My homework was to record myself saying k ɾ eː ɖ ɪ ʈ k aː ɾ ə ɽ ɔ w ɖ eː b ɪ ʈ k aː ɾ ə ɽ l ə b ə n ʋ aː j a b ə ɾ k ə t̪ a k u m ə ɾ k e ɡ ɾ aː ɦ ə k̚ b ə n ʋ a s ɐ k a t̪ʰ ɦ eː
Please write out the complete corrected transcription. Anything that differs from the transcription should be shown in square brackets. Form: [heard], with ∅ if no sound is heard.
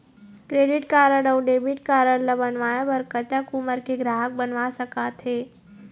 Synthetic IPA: k ɾ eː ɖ ɪ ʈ k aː ɾ ə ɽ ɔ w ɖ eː b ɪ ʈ k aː ɾ ə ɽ l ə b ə n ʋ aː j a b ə ɾ k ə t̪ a k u m ə ɾ k e ɡ ɾ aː ɦ ə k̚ b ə n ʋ a s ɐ k a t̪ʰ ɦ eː